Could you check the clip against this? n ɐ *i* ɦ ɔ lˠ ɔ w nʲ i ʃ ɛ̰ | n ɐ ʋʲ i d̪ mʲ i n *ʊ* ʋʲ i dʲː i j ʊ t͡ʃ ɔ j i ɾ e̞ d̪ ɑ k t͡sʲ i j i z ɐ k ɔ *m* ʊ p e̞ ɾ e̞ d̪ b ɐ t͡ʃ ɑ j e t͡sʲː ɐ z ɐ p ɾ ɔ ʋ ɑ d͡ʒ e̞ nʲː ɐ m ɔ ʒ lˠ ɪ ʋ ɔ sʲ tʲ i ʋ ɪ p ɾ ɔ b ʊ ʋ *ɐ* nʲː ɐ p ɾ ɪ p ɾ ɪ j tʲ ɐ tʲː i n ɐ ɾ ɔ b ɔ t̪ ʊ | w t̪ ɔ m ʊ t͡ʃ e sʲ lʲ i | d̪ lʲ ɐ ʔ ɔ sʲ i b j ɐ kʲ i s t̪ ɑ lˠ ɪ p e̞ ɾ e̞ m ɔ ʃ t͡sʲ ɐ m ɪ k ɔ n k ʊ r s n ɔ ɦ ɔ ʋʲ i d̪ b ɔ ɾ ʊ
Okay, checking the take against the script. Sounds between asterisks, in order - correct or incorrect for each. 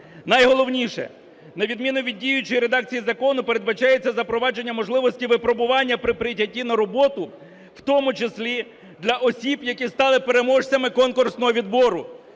incorrect, correct, incorrect, incorrect

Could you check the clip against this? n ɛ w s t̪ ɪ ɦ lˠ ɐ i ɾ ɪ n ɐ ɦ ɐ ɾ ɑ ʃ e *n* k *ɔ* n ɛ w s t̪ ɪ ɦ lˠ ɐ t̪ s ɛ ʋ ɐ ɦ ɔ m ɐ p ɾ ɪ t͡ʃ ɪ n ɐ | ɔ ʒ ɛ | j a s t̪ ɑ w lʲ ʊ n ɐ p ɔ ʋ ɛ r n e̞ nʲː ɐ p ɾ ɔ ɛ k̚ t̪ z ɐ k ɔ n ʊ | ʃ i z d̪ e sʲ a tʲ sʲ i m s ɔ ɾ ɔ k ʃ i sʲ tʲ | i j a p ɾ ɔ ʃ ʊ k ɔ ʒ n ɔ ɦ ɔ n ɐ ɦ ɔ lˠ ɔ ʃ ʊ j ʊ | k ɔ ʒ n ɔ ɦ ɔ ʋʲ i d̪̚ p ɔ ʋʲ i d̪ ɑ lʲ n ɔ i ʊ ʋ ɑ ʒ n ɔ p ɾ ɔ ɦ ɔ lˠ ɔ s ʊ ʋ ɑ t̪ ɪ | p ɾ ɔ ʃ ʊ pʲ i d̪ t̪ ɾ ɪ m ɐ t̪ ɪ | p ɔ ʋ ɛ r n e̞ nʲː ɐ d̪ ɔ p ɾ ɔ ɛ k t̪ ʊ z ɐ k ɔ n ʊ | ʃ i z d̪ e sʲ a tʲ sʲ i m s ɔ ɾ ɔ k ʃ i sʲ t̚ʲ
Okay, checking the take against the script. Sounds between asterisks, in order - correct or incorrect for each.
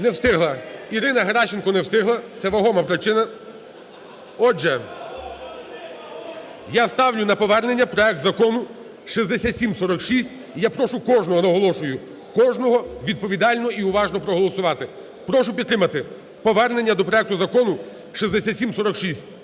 correct, correct

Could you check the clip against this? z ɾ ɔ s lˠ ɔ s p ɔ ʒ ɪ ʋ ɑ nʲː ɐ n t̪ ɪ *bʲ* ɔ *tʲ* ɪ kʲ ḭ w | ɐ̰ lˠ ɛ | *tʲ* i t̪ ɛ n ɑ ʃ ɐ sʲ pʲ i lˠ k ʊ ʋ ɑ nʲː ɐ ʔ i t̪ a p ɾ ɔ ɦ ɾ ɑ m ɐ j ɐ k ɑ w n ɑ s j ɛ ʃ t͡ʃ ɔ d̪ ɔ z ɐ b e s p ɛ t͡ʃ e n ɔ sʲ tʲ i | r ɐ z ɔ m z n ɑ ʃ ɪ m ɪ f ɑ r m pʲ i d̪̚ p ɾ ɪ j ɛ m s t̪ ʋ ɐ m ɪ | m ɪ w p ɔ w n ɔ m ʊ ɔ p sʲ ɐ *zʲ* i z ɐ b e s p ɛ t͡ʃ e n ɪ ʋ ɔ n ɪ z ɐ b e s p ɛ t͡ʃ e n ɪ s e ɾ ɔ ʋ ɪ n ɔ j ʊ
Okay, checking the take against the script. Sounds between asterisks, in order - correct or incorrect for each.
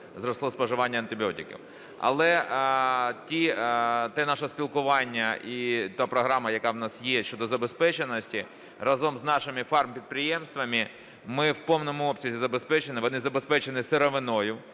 correct, correct, correct, correct

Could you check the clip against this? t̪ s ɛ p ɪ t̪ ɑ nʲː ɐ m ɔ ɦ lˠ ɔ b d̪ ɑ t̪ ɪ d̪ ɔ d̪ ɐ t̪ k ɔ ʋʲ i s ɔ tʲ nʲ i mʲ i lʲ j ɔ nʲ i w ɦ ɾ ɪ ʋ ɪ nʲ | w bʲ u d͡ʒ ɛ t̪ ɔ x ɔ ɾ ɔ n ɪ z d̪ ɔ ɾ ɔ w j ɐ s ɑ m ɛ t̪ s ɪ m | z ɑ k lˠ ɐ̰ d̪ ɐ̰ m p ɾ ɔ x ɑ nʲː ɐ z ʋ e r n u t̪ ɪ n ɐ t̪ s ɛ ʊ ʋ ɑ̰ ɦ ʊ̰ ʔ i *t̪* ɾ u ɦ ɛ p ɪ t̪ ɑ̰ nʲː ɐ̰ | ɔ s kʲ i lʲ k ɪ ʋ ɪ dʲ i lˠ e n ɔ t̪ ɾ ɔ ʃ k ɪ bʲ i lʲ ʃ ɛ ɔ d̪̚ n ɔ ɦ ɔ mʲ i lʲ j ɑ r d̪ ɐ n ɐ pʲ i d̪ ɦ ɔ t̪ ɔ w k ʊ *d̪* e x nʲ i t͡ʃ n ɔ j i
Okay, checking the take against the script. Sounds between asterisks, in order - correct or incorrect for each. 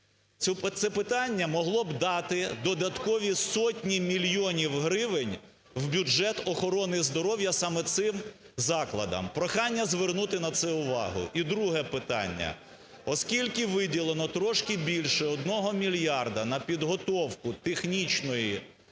incorrect, incorrect

